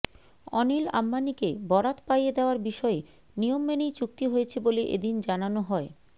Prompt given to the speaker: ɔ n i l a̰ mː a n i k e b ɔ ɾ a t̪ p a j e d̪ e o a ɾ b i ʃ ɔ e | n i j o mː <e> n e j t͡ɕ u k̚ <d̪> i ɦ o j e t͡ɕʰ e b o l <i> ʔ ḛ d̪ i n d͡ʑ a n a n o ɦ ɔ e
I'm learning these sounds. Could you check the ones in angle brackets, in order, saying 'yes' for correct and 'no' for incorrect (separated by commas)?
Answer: yes, no, no